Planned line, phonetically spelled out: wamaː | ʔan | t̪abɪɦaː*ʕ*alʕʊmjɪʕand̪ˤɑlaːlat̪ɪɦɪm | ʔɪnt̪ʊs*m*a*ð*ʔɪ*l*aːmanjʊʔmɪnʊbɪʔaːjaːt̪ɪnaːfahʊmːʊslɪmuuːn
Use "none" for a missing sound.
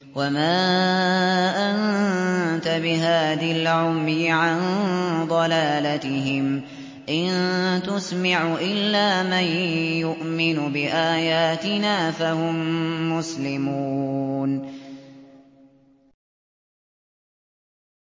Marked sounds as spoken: ð, m, ʕ, lː

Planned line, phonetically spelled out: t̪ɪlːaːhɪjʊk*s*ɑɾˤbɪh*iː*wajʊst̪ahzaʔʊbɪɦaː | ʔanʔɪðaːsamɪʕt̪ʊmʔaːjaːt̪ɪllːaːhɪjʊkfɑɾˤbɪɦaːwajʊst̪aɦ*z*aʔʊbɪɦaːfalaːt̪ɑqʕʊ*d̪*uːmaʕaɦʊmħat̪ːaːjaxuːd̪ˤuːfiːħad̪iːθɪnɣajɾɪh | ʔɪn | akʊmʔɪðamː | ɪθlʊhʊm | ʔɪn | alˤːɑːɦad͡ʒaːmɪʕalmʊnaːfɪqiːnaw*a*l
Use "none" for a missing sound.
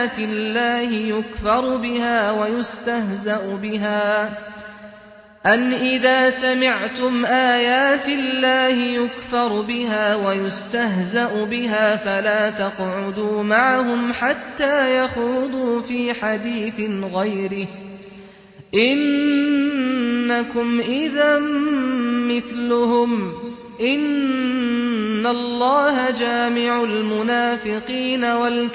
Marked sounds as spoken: f, aː, z, d̪, a

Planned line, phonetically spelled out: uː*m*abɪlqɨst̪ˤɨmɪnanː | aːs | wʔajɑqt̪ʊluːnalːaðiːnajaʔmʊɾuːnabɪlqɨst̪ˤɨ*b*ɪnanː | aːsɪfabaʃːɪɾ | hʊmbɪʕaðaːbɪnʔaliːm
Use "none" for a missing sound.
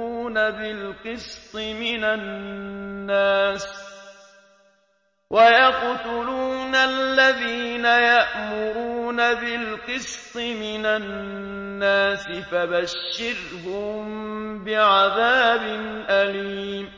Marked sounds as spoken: n, m

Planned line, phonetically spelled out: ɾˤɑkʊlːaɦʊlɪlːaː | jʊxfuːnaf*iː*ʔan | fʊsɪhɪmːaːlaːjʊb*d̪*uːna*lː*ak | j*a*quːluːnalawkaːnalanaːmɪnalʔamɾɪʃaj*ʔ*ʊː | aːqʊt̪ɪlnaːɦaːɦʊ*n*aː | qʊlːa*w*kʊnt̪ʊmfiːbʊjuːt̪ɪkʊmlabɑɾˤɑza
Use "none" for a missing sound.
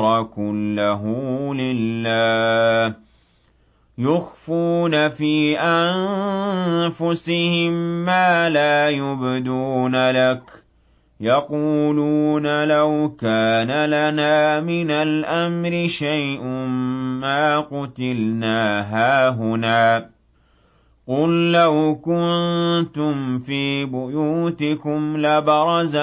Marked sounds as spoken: iː, d̪, l, ɑ, ʔ, n, w

